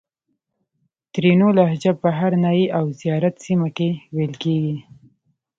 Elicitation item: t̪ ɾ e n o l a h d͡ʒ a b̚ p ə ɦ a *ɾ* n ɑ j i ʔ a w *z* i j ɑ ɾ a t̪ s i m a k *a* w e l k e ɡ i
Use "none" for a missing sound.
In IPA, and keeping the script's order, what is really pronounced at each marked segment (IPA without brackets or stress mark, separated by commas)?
ɾ, z, e